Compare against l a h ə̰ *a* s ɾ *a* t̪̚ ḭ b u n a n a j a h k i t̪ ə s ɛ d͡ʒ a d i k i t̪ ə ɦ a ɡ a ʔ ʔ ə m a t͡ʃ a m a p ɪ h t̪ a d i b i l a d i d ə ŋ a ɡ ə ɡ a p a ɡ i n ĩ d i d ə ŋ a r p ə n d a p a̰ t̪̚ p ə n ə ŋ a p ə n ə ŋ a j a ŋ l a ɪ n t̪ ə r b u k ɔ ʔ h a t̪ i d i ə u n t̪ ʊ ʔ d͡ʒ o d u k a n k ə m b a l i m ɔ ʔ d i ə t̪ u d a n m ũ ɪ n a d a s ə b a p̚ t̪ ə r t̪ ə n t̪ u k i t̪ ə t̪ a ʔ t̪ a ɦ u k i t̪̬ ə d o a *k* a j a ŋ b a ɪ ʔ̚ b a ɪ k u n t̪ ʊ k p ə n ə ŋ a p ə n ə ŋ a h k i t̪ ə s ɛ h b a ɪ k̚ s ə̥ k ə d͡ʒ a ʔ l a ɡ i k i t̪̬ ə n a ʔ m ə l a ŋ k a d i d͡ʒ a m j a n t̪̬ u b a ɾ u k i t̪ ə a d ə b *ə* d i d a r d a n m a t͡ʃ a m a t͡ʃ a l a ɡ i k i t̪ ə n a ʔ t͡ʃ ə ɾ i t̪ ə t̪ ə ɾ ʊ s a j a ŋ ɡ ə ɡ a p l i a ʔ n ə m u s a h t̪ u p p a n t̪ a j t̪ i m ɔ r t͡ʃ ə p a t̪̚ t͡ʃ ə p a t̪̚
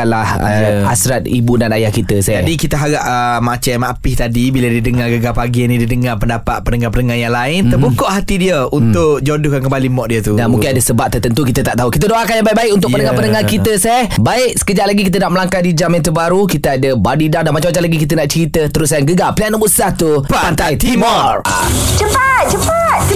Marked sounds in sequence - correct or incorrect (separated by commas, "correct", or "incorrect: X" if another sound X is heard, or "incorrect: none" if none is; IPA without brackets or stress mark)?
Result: correct, correct, correct, incorrect: a